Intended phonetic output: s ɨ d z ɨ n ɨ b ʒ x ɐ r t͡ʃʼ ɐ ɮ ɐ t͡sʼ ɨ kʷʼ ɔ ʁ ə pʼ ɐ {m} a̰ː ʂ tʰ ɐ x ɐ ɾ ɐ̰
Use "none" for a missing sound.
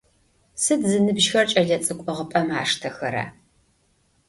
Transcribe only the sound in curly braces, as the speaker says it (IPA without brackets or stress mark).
m